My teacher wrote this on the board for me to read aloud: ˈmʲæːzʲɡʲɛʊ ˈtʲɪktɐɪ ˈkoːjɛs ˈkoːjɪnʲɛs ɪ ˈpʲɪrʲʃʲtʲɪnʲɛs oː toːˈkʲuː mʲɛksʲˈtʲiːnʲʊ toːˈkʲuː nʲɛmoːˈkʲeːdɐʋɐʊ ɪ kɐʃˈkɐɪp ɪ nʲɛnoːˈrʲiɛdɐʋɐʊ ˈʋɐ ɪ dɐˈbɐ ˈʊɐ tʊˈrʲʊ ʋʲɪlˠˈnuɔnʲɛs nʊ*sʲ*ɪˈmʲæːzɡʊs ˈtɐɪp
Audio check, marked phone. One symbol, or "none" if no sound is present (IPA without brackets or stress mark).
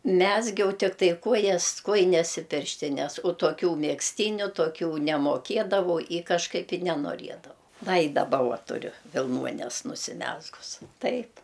sʲ